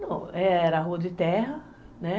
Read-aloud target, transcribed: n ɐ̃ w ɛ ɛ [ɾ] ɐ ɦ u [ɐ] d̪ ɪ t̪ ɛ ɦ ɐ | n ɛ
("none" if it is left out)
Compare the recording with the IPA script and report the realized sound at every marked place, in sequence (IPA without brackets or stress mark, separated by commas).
ɾ, ɐ